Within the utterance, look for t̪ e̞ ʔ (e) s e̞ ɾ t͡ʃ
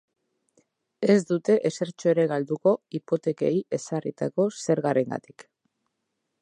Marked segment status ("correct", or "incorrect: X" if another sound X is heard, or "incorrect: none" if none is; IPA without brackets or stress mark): correct